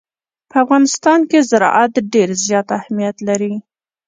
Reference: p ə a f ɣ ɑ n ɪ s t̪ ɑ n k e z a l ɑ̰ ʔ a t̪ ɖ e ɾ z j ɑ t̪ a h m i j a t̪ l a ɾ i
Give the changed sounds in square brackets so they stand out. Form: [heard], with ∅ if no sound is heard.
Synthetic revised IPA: p ə a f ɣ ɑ n ɪ s t̪ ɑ n k e z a [ɾ] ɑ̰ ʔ a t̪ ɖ e ɾ z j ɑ t̪ a h m i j a t̪ l a ɾ i